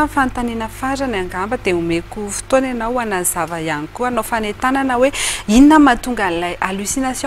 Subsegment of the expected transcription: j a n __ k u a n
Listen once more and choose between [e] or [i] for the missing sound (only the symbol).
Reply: i